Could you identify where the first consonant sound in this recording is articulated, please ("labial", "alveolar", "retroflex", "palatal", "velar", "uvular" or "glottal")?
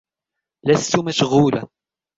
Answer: alveolar